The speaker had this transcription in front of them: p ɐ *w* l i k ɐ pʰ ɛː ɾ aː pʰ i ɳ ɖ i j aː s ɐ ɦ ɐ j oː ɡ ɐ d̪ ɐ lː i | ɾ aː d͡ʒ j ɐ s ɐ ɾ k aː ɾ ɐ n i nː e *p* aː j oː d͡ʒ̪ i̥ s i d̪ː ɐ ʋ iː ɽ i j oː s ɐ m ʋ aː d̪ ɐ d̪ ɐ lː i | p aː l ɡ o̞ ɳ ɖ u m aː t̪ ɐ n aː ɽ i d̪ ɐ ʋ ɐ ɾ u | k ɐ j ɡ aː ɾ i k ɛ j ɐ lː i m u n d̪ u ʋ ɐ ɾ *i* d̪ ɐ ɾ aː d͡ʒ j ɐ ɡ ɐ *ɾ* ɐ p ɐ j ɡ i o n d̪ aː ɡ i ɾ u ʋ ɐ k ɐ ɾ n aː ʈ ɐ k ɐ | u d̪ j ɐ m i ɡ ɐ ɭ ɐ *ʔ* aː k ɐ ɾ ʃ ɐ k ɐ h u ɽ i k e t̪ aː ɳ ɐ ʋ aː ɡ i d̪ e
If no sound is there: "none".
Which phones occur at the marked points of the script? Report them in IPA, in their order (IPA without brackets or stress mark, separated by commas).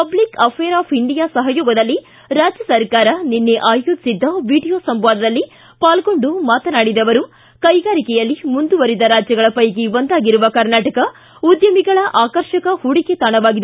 b, ʔ, i, ɭ, ʔ